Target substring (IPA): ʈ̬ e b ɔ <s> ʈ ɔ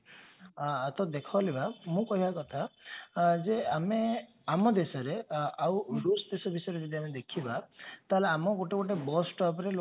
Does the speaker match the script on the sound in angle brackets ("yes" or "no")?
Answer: yes